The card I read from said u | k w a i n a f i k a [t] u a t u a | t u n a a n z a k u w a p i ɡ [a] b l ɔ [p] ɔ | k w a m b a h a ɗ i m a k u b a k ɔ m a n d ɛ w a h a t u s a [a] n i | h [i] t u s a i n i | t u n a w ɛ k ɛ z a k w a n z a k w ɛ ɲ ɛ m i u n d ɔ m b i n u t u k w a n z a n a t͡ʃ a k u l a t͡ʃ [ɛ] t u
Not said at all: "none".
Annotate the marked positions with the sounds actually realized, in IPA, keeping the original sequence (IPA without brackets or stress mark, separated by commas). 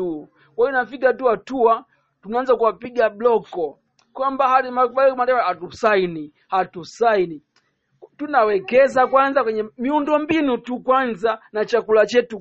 t, a, k, i, a, ɛ